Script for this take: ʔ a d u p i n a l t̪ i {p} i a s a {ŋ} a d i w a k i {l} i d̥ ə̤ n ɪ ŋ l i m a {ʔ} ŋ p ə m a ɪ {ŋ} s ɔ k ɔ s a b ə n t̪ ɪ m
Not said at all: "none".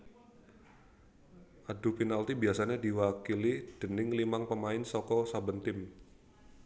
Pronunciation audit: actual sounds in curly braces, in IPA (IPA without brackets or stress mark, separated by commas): b, ɲ, l, none, n